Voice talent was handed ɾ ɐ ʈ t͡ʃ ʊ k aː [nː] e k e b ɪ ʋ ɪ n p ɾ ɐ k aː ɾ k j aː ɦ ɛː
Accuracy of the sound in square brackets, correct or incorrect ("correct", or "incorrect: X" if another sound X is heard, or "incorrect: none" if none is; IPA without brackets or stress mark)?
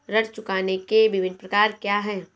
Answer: incorrect: n